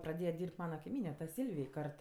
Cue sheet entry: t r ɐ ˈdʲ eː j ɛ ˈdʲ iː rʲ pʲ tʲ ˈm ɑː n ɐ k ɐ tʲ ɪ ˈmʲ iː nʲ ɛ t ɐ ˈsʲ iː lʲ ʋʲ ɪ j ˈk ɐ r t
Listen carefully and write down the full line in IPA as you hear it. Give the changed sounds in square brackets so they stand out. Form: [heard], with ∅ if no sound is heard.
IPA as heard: [p] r ɐ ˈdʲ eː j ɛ ˈdʲ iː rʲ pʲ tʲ ˈm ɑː n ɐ k ɐ [∅] ɪ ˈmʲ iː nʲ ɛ t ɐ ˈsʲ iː lʲ ʋʲ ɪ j ˈk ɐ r t